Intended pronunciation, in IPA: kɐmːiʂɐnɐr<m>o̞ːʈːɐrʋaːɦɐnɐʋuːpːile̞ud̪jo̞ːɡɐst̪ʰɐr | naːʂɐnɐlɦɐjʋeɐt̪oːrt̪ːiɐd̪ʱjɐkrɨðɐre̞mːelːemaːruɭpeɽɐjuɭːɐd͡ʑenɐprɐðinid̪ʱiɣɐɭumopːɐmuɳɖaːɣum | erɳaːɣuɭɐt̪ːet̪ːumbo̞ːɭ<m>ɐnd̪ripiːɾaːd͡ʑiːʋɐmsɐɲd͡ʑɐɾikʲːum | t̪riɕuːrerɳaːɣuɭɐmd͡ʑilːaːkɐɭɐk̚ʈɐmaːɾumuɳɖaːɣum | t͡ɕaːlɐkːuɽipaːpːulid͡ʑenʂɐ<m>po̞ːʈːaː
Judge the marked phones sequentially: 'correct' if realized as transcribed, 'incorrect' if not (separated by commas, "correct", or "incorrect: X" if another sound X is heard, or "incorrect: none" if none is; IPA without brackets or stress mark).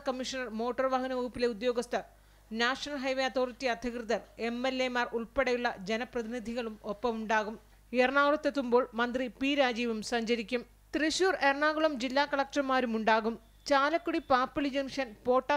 correct, correct, incorrect: n